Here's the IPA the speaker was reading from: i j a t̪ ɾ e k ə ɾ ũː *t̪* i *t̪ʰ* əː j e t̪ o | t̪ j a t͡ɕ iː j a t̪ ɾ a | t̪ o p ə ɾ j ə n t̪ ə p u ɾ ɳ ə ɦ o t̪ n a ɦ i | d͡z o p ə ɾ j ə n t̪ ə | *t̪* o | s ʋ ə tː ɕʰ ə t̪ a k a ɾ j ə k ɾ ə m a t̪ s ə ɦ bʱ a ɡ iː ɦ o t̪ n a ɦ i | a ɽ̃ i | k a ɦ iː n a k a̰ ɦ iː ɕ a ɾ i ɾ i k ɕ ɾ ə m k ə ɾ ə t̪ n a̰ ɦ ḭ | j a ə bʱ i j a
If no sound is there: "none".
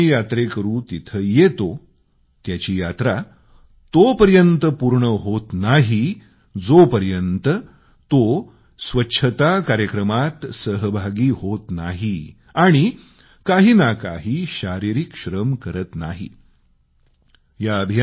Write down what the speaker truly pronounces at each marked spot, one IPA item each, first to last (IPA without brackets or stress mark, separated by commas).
t̪, t̪ʰ, t̪